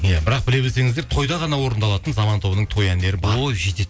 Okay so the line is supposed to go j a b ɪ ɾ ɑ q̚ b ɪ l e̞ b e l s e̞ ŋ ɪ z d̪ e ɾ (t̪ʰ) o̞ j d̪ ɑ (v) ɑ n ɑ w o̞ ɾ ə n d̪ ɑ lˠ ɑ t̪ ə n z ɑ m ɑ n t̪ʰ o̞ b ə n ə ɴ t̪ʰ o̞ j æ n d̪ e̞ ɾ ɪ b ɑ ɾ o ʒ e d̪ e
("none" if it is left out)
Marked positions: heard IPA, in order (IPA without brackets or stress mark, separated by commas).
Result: t̪ʰ, ʁ